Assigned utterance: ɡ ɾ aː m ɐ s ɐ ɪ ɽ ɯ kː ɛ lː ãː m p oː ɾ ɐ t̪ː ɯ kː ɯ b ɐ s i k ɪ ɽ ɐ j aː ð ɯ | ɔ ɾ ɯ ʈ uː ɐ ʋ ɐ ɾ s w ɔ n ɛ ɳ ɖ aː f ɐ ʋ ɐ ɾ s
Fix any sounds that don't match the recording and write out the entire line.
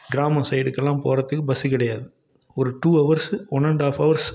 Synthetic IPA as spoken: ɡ ɾ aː m ɐ s ɐ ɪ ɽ ɯ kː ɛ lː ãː m p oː ɾ ɐ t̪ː ɯ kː ɯ b ɐ s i k ɪ ɽ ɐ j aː ð ɯ | ɔ ɾ ɯ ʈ uː ɐ ʋ ɐ ɾ s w ɔ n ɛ ɳ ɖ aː f ɐ ʋ ɐ ɾ s